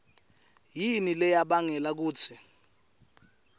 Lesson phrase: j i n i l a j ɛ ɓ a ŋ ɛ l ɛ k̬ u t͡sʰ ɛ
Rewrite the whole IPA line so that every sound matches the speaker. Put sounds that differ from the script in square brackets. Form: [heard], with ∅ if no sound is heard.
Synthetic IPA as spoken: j i n i l [ɛ] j [a] ɓ a ŋ ɛ l [a] k̬ [uː] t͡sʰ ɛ